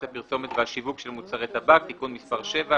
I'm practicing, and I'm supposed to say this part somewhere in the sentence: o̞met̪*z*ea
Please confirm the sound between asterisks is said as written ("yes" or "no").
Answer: no